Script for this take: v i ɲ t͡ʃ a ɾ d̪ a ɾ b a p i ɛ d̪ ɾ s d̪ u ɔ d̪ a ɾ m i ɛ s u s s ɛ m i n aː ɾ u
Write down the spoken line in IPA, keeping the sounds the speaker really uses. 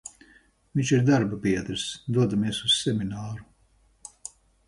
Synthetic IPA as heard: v i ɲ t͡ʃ i ɾ d̪ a ɾ b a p i ɛ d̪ ɾ s d̪ u ɔ d̪ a m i ɛ s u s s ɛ m i n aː ɾ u